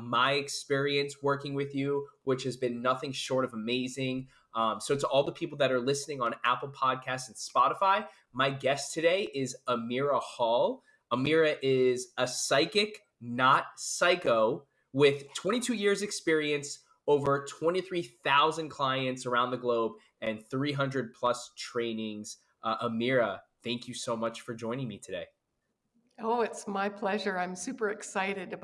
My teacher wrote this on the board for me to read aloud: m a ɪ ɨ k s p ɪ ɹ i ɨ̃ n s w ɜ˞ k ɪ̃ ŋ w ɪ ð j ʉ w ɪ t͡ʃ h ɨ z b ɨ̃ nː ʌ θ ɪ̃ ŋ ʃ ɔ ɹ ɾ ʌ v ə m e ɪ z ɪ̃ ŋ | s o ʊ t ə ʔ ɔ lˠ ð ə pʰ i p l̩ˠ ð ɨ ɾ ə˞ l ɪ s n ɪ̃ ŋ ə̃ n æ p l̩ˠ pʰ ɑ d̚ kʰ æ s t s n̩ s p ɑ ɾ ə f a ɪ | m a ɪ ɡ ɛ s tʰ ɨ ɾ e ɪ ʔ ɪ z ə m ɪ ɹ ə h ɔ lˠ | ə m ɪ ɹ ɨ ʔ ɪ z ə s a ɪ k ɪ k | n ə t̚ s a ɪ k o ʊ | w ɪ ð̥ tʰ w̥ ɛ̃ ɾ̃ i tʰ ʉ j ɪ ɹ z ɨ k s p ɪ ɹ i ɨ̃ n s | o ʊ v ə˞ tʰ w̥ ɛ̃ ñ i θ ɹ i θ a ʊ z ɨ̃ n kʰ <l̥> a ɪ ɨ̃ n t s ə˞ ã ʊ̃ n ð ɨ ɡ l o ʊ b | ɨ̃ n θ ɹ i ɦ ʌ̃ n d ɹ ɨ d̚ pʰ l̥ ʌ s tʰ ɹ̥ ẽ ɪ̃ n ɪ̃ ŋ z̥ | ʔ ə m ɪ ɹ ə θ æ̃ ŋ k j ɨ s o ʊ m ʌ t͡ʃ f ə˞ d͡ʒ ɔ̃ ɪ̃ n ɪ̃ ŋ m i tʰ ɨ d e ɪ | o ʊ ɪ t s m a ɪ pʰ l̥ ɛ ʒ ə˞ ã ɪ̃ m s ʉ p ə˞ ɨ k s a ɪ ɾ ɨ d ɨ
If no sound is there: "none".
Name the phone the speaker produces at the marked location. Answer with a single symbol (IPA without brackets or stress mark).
l̥